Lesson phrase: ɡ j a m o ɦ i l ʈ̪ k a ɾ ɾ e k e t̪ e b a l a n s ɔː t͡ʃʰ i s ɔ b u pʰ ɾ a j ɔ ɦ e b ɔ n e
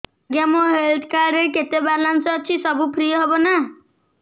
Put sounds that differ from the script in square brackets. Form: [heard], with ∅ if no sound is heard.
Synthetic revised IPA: ɡ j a m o ɦ [e] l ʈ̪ k a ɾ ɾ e k e t̪ e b a l a n s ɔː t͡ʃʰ i s ɔ b u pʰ ɾ [i] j ɔ ɦ e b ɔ n [a]